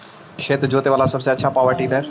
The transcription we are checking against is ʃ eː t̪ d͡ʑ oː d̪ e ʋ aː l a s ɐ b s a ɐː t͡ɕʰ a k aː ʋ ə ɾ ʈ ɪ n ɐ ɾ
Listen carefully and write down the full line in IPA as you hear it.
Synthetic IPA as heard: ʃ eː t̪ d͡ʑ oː t̪ e ʋ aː l a s ɐ b s e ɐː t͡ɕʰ a p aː ʋ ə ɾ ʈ i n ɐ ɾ